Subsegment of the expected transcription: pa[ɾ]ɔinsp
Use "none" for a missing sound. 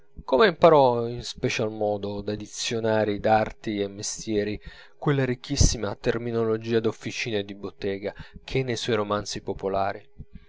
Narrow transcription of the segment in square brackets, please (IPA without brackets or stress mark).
ɾ